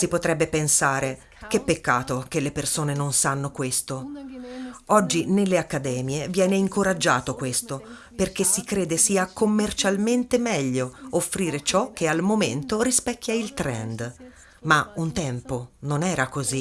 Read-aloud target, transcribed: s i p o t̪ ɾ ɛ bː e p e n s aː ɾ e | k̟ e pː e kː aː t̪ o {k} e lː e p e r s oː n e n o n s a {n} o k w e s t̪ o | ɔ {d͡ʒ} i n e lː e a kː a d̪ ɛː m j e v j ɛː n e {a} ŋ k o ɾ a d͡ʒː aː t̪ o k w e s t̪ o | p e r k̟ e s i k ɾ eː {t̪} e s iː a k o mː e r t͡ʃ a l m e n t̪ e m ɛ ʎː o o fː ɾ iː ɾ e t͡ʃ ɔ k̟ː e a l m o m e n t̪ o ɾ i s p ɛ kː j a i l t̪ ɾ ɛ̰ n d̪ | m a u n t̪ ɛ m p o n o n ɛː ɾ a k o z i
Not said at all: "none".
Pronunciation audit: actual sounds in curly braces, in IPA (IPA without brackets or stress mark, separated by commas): k, nː, d͡ʒː, i, d̪